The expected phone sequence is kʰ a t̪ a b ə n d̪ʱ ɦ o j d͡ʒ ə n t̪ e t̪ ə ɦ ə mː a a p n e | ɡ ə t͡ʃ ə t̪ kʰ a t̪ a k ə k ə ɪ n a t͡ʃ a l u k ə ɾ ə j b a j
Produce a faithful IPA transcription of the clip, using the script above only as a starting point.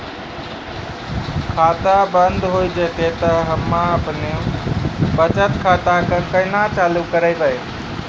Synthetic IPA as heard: kʰ a t̪ a b ə n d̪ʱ ɦ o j d͡ʒ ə t̪ e t̪ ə ɦ ə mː a ə p n e | b ə t͡ʃ ə t̪ kʰ a t̪ a k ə k ə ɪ n a t͡ʃ a l u k ə ɾ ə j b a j